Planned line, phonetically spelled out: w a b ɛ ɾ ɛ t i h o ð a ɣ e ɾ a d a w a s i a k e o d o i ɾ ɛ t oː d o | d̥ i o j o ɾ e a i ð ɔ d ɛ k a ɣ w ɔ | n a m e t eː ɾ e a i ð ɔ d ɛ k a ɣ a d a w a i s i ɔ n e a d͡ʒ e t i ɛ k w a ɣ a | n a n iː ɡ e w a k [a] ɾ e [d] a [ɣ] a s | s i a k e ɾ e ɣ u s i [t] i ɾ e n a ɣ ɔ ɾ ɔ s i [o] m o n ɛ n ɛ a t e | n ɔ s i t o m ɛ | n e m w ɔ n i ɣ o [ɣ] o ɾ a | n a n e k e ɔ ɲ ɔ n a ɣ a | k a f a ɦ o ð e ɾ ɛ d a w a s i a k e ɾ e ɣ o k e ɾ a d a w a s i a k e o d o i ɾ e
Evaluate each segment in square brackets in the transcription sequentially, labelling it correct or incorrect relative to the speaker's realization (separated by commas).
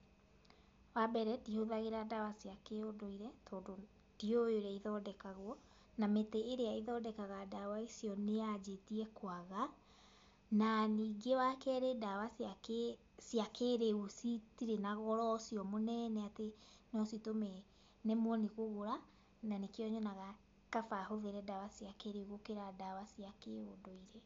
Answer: incorrect, correct, incorrect, correct, incorrect, correct